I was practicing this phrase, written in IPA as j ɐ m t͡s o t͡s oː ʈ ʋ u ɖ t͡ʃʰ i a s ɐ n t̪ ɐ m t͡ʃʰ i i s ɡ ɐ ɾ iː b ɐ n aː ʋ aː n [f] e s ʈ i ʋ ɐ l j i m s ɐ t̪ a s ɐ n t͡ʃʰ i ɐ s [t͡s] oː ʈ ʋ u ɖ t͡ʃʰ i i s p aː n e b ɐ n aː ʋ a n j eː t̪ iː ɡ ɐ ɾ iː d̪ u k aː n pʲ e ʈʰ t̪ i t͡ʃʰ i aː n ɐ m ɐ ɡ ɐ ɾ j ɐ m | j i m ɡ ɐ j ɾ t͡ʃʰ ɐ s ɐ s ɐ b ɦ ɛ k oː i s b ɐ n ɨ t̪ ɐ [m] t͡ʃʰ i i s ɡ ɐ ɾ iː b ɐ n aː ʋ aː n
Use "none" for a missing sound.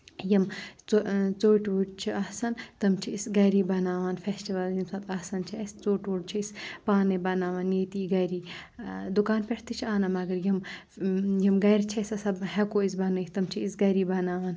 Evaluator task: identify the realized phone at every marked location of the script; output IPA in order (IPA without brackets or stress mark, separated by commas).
f, t͡s, m